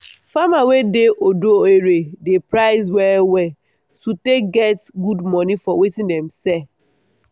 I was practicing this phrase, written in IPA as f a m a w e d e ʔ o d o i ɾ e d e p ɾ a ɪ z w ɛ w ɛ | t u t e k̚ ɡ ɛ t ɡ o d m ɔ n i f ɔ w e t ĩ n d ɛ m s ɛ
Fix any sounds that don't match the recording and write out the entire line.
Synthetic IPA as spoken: f a m a w e d e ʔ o d o e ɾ e d e p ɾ a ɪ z w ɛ w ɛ | t u t e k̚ ɡ ɛ t ɡ u d m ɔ n i f ɔ w e t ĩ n d ɛ m s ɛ